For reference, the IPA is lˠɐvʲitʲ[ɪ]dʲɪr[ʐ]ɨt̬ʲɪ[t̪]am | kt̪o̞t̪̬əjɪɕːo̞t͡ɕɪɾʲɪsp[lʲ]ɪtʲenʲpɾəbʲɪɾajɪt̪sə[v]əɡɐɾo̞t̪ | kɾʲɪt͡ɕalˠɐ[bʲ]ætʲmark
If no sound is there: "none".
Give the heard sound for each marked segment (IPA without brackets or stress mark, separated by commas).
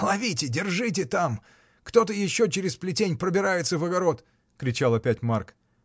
ɪ, ʐ, t̪, lʲ, v, pʲ